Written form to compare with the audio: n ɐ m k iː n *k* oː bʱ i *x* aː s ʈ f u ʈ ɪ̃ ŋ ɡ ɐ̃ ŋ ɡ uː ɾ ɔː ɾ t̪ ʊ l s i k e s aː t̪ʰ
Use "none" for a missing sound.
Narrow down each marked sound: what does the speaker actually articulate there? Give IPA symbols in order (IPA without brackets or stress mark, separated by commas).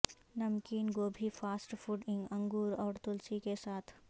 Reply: ɡ, f